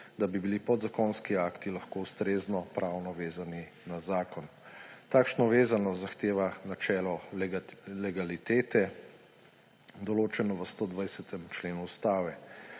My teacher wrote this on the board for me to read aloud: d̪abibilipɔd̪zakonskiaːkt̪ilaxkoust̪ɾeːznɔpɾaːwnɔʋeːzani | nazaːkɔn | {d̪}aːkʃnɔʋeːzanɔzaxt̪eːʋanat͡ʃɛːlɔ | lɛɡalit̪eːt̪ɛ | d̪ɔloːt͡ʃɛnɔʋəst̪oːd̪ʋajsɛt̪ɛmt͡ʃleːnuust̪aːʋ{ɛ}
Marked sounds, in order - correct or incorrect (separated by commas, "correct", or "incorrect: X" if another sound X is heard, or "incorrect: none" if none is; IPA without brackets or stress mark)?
incorrect: t̪, correct